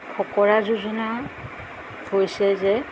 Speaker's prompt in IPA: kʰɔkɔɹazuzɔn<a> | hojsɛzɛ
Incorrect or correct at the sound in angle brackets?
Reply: correct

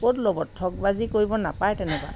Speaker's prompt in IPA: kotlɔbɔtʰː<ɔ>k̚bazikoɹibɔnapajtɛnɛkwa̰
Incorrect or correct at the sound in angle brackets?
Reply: correct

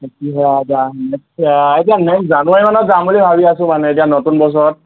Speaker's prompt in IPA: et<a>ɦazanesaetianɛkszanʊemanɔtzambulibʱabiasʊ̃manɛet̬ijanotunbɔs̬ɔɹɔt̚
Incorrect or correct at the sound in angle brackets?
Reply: incorrect: i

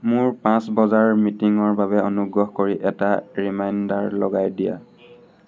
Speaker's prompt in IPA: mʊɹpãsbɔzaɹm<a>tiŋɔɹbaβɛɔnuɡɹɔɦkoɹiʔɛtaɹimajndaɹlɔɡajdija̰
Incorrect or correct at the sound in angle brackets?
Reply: incorrect: i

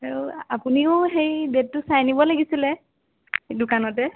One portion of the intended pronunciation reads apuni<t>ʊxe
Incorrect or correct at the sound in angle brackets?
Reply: incorrect: none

